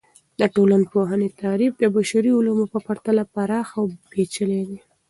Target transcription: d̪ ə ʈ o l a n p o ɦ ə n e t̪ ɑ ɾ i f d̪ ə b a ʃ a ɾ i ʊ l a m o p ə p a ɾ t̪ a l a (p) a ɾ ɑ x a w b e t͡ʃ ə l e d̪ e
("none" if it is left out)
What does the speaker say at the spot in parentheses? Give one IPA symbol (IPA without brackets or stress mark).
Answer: p